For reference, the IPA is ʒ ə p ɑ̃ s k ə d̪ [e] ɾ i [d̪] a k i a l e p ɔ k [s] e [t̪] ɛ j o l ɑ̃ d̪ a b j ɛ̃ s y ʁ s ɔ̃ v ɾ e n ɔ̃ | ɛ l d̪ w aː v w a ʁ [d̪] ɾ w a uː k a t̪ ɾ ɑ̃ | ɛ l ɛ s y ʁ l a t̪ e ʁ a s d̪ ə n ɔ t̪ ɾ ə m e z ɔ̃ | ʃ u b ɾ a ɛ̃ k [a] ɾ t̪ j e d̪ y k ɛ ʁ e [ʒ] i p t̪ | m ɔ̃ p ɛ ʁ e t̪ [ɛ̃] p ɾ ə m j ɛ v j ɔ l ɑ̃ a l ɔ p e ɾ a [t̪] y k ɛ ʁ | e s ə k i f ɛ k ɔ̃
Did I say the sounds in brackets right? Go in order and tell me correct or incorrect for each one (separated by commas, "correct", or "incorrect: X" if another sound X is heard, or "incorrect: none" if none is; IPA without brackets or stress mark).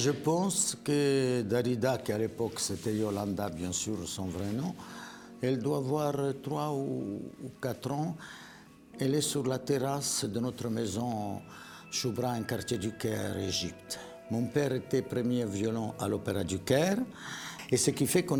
incorrect: a, correct, correct, correct, incorrect: t̪, correct, correct, incorrect: ɛ, incorrect: d̪